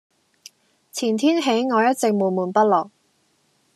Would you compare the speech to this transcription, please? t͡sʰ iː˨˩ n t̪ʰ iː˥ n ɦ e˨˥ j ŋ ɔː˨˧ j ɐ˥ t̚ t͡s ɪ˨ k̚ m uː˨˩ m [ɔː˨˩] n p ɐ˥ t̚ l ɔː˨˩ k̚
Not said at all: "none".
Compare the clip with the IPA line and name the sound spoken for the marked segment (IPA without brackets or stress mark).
uː˨˩